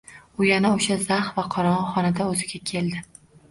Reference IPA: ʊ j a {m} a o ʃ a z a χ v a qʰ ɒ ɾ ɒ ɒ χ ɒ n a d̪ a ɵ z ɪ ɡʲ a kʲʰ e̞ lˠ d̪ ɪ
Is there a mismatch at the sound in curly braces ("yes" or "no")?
yes